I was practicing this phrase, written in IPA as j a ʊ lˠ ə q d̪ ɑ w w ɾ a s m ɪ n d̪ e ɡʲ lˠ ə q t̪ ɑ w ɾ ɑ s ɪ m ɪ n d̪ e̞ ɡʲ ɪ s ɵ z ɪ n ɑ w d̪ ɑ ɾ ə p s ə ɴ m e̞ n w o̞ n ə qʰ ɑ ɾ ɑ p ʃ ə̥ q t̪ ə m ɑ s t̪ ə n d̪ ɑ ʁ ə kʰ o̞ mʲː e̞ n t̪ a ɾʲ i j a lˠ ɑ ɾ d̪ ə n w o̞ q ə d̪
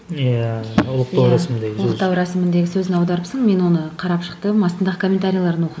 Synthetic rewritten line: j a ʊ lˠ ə q t̪ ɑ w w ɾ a s m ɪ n d̪ e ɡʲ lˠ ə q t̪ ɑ w ɾ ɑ s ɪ m ɪ n d̪ e̞ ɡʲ ɪ s ɵ z ɪ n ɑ w d̪ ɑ ɾ ə p s ə ɴ m e̞ n w o̞ n ə qʰ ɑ ɾ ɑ p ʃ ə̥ q t̪ ə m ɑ s t̪ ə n d̪ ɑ ʁ ə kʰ o̞ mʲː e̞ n t̪ a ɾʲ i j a lˠ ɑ ɾ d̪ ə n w o̞ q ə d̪